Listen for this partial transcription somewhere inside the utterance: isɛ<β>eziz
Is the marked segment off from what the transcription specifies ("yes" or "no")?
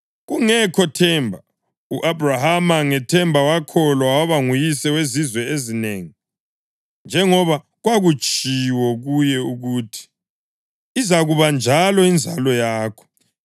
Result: yes